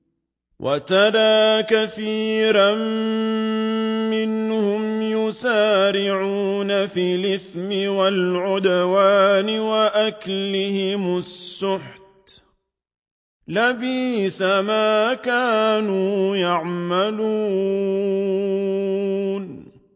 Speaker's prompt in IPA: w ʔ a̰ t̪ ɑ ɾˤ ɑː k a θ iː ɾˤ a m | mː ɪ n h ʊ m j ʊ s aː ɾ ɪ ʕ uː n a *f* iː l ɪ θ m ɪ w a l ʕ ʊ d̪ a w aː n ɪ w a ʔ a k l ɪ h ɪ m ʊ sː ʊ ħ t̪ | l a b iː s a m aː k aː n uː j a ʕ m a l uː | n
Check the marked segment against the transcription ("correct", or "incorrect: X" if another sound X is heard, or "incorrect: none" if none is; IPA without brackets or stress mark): correct